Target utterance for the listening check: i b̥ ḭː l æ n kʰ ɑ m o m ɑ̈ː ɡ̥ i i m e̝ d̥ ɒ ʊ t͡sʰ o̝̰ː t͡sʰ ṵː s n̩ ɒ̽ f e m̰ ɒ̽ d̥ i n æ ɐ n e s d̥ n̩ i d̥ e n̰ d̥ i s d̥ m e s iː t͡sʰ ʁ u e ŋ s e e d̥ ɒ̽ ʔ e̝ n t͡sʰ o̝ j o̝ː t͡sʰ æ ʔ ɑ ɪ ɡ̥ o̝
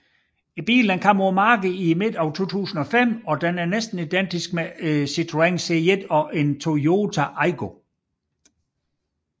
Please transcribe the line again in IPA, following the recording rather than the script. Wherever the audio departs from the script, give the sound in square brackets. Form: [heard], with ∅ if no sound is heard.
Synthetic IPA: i b̥ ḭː l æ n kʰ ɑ m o m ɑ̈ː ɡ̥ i i m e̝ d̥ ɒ ʊ t͡sʰ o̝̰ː t͡sʰ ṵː s n̩ ɒ̽ f e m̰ ɒ̽ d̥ [e] n æ ɐ n e s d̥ n̩ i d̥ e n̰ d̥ i s [ɡ̥] m e s [i] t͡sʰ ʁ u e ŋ s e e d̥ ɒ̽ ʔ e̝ n t͡sʰ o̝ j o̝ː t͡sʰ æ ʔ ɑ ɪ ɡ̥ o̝